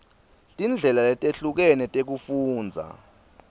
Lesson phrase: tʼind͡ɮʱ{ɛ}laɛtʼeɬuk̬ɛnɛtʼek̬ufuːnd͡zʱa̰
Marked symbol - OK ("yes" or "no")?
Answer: yes